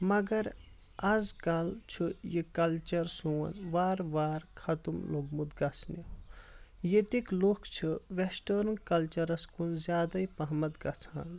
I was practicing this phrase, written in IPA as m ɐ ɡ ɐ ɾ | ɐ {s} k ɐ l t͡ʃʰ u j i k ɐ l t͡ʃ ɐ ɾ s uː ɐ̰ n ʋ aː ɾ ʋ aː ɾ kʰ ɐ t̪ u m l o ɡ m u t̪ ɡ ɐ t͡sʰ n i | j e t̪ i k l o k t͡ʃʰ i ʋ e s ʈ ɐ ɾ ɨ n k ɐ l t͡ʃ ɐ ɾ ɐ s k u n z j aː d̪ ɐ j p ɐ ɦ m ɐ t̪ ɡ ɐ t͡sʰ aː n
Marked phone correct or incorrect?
incorrect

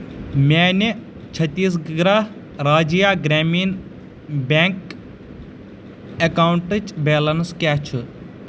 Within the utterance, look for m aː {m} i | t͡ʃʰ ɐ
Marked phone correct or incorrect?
incorrect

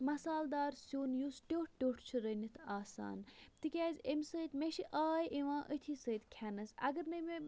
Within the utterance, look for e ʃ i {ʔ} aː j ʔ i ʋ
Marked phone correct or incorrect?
correct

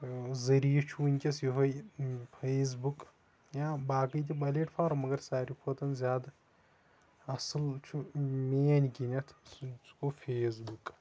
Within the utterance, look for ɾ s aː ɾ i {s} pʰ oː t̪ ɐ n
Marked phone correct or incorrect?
incorrect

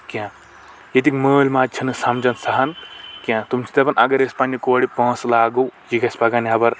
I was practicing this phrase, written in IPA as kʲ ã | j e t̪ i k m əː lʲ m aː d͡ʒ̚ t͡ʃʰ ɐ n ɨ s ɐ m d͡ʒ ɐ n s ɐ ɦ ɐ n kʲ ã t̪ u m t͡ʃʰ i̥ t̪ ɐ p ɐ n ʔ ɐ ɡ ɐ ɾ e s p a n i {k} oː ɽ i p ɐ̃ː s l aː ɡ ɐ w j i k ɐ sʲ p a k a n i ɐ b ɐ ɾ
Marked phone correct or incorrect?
correct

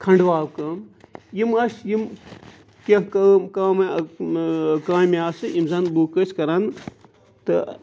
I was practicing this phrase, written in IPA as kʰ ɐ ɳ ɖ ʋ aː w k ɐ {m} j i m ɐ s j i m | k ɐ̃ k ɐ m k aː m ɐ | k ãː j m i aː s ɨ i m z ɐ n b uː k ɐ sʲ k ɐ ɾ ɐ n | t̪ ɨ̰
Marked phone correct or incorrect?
correct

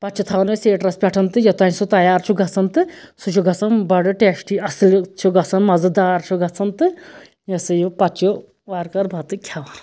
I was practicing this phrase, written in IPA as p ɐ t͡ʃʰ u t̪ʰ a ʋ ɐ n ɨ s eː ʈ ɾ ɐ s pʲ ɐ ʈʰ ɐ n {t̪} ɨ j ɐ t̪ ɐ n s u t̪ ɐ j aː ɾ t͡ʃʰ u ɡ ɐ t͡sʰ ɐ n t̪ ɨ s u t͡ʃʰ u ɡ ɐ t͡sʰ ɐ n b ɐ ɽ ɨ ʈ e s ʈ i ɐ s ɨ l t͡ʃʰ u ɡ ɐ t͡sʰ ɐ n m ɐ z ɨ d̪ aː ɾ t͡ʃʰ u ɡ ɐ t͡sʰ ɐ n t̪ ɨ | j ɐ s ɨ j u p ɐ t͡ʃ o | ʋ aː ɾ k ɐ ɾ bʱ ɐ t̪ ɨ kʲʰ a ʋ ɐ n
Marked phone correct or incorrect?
correct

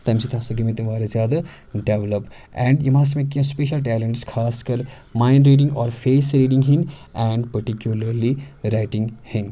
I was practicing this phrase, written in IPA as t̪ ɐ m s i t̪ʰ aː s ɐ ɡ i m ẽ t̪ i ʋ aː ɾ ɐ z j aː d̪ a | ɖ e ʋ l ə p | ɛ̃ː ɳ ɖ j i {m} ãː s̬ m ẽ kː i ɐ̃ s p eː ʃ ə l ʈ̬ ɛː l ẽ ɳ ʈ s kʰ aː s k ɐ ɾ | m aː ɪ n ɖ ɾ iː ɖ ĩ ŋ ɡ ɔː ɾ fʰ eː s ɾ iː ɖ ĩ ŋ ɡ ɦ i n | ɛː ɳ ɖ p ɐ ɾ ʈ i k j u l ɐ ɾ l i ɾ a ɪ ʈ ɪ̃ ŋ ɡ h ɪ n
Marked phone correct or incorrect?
correct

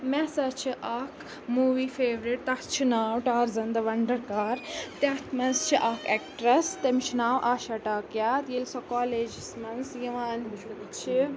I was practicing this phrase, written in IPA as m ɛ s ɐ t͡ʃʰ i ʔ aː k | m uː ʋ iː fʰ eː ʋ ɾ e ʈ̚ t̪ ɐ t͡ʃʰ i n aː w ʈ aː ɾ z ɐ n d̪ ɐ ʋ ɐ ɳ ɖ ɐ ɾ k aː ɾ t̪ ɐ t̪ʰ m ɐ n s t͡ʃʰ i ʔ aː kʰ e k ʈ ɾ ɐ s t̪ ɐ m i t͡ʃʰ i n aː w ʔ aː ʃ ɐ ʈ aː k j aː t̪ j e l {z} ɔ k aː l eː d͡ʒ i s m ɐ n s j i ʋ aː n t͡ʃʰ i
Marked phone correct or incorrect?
incorrect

